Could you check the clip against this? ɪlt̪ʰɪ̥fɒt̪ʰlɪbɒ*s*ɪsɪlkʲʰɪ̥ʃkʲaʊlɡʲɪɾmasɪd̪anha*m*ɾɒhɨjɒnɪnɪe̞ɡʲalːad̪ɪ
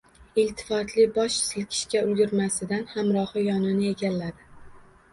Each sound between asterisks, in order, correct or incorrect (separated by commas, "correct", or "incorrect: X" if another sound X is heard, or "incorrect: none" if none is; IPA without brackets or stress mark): incorrect: ʃ, correct